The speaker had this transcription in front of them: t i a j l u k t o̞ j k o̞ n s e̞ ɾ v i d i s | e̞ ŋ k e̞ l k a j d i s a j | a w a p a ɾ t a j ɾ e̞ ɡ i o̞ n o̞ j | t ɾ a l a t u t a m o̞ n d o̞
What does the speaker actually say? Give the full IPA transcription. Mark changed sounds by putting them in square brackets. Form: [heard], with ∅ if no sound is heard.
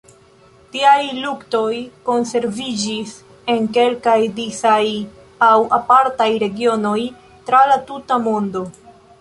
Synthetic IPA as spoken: t i a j l u k t o̞ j k o̞ n s e̞ ɾ v i [d͡ʒ] i s | e̞ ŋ k e̞ l k a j d i s a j | a w a p a ɾ t a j ɾ e̞ ɡ i o̞ n o̞ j | t ɾ a l a t u t a m o̞ n d o̞